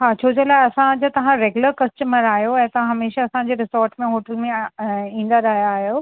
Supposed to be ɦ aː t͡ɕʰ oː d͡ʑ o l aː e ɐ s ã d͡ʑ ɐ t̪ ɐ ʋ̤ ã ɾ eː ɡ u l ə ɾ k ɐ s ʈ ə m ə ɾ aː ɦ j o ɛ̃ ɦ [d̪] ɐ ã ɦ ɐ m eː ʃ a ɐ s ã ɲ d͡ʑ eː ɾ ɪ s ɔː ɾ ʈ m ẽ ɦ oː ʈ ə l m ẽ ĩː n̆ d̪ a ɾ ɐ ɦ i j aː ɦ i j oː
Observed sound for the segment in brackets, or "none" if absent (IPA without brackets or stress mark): t̪